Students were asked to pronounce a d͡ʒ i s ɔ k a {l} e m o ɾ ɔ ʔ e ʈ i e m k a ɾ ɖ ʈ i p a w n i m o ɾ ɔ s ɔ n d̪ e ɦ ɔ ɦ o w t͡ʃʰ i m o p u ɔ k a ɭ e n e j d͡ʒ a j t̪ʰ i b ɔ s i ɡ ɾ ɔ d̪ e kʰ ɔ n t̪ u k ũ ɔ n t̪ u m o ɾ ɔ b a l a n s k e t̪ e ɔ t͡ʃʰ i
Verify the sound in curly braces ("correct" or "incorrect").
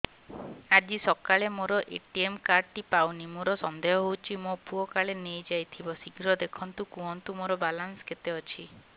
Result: incorrect